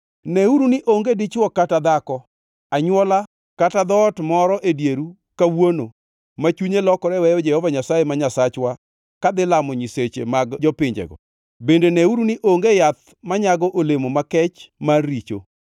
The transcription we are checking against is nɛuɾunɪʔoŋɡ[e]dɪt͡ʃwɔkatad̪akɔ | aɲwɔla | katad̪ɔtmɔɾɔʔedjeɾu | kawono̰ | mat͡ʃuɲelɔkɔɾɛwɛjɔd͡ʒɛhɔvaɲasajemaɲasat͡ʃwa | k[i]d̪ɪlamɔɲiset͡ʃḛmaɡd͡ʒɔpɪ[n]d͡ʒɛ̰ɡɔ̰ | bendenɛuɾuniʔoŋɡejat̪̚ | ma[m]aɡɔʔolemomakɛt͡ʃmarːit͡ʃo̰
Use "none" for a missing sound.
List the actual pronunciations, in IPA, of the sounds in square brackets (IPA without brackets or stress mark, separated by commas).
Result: e, a, ɲ, ɲ